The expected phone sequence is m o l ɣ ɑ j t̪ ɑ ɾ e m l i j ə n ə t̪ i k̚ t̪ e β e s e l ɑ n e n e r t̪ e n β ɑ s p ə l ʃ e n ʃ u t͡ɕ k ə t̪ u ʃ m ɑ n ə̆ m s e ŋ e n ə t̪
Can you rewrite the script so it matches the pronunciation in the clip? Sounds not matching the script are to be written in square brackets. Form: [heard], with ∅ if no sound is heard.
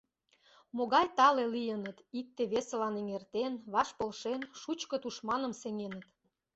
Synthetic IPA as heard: m o [∅] ɣ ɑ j t̪ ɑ [l] e [∅] l i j ə n ə t̪ i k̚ t̪ e β e s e l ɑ n e [ŋ] e r t̪ e n β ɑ [ʃ] p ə l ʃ e n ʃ u t͡ɕ k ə t̪ u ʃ m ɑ n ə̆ m s e ŋ e n ə t̪